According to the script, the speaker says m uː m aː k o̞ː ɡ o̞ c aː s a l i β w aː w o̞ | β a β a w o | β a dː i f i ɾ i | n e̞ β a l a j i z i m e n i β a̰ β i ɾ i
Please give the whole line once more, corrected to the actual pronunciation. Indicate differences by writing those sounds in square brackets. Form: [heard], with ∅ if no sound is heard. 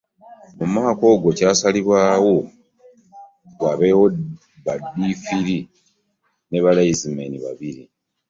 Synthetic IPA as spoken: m [u] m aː k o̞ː ɡ o̞ c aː s a l i β w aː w o̞ | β a β [e] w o | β a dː i f i ɾ i | n e̞ β a l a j i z i m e n i β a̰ β i ɾ i